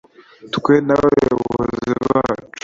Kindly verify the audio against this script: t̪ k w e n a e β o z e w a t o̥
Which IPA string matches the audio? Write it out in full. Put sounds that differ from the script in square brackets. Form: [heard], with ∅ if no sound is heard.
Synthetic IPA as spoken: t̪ k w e n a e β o z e [β] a [t͡ʃ] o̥